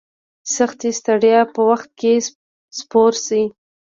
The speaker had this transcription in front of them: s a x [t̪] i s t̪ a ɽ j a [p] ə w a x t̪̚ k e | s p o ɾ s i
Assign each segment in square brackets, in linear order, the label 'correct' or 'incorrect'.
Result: correct, correct

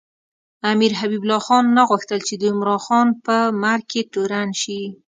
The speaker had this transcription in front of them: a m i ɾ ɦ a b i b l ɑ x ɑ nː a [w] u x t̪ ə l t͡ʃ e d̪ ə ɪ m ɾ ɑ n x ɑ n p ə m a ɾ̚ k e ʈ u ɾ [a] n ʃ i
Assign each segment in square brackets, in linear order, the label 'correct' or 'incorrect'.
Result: incorrect, correct

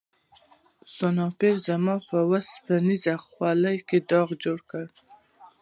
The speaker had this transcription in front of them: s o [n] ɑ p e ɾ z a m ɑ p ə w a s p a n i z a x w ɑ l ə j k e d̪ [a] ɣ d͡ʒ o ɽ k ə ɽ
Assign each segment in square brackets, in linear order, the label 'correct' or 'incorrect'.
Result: correct, incorrect

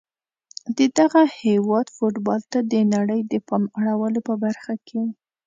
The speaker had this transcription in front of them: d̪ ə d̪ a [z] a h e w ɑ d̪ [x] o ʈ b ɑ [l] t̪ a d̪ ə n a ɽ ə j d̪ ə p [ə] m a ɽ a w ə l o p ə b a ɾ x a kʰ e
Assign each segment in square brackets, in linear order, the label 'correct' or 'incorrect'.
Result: incorrect, incorrect, correct, incorrect

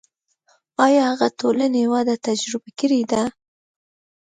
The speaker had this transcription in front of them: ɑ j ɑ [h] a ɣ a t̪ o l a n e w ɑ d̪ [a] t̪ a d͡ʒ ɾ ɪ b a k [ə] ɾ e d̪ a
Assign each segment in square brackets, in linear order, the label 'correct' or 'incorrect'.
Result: correct, correct, correct

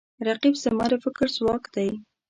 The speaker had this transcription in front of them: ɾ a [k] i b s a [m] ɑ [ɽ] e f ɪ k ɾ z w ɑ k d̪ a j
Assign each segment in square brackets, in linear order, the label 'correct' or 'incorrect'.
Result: incorrect, correct, incorrect

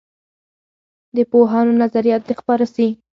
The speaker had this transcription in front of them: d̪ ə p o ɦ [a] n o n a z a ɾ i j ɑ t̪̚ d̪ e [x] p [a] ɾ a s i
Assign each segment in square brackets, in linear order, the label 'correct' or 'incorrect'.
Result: incorrect, correct, incorrect

